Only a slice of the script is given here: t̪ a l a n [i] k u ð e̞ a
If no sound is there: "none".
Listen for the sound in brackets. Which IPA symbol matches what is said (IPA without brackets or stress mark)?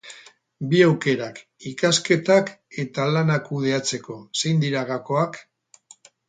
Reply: a